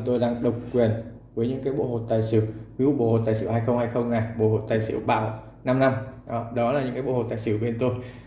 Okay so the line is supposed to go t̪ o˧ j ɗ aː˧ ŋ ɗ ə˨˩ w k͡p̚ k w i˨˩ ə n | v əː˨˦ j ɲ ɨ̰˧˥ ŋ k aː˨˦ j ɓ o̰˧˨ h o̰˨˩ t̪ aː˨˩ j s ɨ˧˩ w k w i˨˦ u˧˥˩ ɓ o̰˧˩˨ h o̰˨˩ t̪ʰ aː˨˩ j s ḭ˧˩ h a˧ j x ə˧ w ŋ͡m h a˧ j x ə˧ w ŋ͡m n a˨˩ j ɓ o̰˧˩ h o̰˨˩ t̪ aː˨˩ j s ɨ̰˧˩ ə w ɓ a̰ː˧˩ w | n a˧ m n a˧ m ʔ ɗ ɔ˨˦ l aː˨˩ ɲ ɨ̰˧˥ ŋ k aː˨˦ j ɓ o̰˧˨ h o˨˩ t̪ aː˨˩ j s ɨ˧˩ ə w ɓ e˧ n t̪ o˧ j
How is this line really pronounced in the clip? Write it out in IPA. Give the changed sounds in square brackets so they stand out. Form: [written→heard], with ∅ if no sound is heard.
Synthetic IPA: t̪ o˧ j ɗ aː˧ ŋ ɗ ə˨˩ w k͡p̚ k w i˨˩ ə n | v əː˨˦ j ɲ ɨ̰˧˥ ŋ k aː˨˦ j ɓ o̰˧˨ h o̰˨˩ t̪ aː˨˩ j s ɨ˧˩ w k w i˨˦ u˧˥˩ ɓ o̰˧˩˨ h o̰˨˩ [t̪ʰ→t̪] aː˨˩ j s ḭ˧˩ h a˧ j x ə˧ w ŋ͡m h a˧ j x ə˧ w ŋ͡m n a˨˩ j ɓ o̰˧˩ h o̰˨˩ t̪ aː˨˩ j s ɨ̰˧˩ ə w ɓ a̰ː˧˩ w | n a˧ m n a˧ m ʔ ɗ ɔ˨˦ l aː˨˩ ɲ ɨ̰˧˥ ŋ k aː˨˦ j ɓ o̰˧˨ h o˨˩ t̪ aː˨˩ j s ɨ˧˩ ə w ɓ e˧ n t̪ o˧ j